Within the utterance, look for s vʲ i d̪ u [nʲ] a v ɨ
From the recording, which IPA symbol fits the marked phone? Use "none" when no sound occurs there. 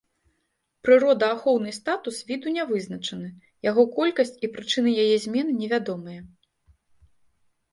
nʲ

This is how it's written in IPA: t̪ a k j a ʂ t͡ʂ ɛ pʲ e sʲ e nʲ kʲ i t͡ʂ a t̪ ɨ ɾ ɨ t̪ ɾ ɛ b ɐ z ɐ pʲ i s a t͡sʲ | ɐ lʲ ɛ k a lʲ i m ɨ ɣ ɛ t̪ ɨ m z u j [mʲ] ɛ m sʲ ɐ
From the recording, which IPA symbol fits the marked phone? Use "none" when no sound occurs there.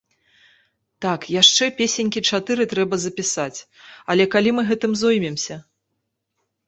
mʲ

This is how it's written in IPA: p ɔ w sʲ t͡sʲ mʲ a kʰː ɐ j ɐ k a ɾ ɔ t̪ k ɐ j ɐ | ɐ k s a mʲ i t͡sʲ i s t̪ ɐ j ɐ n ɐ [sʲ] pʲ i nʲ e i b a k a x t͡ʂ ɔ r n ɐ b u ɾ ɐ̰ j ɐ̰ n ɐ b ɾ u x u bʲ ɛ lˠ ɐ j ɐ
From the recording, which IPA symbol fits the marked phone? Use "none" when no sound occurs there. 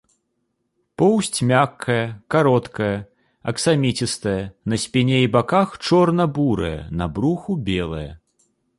sʲ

